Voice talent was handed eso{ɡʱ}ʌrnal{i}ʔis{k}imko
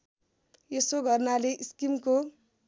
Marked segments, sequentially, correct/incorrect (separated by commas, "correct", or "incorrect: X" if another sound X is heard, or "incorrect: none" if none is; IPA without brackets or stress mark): correct, incorrect: e, correct